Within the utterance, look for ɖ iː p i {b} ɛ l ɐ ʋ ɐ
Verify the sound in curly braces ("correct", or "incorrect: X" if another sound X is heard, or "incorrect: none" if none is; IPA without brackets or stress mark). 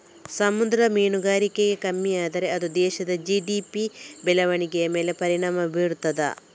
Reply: correct